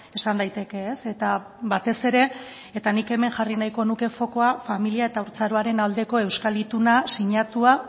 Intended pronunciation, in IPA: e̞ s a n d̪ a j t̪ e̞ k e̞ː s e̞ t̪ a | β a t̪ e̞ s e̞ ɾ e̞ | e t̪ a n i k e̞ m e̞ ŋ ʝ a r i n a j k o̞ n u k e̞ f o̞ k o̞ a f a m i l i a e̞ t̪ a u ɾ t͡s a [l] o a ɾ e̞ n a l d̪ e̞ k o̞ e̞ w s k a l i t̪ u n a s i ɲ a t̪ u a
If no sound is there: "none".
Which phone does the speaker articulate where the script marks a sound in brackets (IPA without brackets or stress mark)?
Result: ɾ